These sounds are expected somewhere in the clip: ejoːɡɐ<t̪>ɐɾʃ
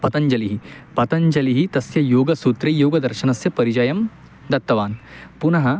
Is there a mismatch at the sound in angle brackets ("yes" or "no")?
yes